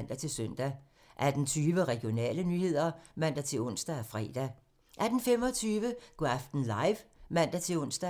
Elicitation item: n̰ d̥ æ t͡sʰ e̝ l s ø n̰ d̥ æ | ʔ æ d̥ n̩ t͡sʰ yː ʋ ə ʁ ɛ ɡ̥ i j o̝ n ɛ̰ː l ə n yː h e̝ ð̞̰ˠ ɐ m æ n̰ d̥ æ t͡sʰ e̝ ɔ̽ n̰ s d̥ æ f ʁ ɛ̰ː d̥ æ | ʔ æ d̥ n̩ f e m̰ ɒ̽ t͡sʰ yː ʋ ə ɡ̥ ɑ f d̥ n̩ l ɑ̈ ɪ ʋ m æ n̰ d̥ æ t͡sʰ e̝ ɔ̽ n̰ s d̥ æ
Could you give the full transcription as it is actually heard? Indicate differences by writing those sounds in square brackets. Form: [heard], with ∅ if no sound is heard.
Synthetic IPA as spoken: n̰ d̥ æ t͡sʰ e̝ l s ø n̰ d̥ æ | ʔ æ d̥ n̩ t͡sʰ yː ʋ ə ʁ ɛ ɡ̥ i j o̝ n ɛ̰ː l ə n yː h e̝ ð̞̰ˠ ɐ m æ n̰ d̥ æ t͡sʰ e̝ ɔ̽ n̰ s d̥ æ f ʁ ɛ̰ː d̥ æ | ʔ æ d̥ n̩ f e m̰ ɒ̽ t͡sʰ yː ʋ ə ɡ̥ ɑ f d̥ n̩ l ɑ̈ ɪ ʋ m æ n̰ d̥ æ t͡sʰ e̝ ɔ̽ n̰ s d̥ æ